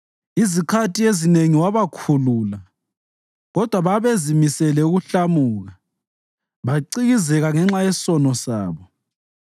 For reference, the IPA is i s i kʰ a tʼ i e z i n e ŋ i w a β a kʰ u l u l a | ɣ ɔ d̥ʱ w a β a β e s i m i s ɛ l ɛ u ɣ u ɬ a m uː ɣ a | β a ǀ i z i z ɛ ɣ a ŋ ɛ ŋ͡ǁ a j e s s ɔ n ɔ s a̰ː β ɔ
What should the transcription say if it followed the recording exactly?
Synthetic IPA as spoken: i z i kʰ a tʼ i e z i n e ŋ i w a β a kʰ u l u l a | ɣ ɔ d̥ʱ w a β a β e z i m i s ɛ l ɛ u ɣ u ɬ a m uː ɣ a | β a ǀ i ɣ i z ɛ ɣ a ŋ ɛ ŋ͡ǁ a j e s s ɔ n ɔ s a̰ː β ɔ